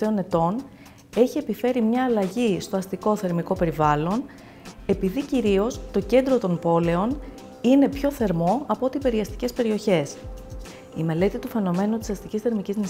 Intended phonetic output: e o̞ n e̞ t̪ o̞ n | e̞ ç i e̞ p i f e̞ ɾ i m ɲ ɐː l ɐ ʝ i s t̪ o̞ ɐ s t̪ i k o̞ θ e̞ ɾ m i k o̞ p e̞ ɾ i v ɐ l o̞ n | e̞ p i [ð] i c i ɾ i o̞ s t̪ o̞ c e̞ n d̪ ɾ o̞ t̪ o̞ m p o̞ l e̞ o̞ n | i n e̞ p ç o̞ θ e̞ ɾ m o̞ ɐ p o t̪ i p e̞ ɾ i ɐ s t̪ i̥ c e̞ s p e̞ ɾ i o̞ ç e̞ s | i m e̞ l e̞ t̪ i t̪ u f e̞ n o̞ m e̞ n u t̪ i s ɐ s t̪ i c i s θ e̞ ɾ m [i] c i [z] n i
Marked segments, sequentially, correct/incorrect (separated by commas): correct, correct, correct